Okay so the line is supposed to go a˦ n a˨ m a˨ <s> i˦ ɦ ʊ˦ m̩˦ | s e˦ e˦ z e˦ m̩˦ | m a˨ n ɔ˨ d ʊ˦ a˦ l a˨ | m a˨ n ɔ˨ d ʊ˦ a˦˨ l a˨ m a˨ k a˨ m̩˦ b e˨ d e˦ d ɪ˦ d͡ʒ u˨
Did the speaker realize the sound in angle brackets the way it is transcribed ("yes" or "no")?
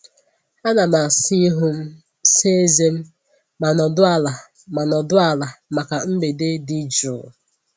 yes